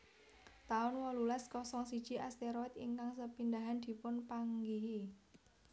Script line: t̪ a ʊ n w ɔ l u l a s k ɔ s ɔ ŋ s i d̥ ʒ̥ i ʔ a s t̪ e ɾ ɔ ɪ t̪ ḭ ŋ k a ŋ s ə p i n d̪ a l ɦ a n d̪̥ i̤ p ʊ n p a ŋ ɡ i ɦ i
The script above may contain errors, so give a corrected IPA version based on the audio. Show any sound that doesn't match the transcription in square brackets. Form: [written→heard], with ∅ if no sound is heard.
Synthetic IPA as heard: t̪ a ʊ n w ɔ l u l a s k ɔ s ɔ ŋ s i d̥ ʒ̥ i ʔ a s t̪ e ɾ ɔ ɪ t̪ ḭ ŋ k a ŋ s ə p i n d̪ a [l→∅] ɦ a n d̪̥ i̤ p ʊ n p a ŋ ɡ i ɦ i